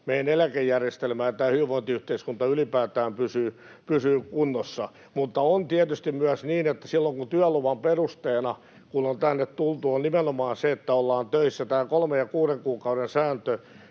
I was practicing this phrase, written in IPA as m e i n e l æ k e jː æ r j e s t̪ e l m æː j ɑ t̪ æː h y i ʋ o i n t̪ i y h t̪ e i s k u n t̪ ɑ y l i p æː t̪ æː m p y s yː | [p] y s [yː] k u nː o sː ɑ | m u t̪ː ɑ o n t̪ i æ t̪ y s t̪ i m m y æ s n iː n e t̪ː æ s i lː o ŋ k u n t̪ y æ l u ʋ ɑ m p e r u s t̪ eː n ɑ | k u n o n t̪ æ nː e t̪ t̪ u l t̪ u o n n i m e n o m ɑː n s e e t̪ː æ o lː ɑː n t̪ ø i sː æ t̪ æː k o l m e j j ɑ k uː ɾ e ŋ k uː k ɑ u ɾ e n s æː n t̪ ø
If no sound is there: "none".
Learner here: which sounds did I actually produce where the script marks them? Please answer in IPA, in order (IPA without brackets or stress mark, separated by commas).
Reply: p, yː